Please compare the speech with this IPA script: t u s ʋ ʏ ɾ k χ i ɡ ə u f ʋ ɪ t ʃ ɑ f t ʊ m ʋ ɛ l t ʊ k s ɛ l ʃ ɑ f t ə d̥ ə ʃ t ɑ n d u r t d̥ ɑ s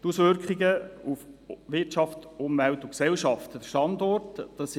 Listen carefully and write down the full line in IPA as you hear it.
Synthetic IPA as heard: t u s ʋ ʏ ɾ k χ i ɡ ə u f ʋ ɪ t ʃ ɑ f t ʊ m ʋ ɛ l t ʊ k s ɛ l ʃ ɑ f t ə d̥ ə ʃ t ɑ n d ɔ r t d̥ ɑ s